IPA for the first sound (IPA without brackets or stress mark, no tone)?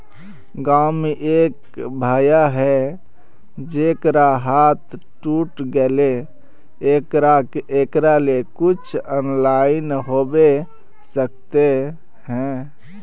ɡ